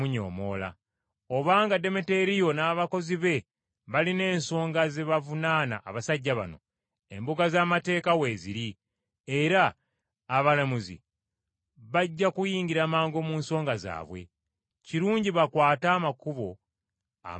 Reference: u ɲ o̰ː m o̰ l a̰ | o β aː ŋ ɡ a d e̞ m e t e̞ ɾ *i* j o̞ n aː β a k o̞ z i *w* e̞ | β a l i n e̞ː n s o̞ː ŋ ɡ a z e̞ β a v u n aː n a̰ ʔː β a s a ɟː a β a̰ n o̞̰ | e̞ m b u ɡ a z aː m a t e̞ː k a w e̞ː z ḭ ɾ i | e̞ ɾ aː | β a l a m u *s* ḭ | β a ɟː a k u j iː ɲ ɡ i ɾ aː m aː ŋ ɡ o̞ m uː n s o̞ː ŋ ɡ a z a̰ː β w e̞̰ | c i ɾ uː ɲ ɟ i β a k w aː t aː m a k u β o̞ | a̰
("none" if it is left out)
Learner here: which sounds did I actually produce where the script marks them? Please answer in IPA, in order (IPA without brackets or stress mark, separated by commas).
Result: i, β, z